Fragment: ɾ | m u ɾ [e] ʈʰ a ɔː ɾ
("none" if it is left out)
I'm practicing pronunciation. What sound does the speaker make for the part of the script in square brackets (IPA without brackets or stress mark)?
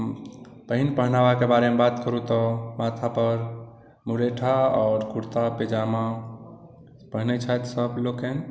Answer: e